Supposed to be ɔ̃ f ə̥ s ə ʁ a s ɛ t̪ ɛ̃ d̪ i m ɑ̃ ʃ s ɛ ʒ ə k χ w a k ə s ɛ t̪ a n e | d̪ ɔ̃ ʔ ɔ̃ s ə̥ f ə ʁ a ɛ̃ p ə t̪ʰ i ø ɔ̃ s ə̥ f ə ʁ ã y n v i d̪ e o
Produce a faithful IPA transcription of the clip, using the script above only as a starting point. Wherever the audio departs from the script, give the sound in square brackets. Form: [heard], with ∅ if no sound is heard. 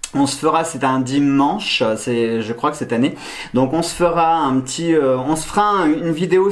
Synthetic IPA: ɔ̃ [s] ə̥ [f] ə ʁ a s ɛ t̪ ɛ̃ d̪ i m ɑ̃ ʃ s ɛ ʒ ə k χ w a k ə s ɛ t̪ a n e | d̪ ɔ̃ [k] ɔ̃ s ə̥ f ə ʁ a ɛ̃ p ə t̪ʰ i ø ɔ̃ s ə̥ f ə ʁ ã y n v i d̪ e o